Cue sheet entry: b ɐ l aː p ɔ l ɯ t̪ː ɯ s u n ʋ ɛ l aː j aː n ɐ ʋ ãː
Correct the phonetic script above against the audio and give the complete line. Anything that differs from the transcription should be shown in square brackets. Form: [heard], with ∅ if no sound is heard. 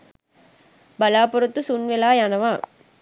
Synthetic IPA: b ɐ l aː p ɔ [ɾ] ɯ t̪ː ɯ s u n ʋ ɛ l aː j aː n ɐ ʋ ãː